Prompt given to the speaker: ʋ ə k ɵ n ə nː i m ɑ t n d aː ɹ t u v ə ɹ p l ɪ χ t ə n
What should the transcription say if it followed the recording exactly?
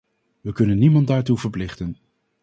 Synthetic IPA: ʋ ə k ɵ n ə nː i m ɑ n d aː ɹ t u v ə ɹ p l ɪ χ t ə n